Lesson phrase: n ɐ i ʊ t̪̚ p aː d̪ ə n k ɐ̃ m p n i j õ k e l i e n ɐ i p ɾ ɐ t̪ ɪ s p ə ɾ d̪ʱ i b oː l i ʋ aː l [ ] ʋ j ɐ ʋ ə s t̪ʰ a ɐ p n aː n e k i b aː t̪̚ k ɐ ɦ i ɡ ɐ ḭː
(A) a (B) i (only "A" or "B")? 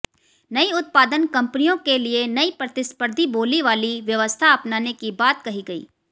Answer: B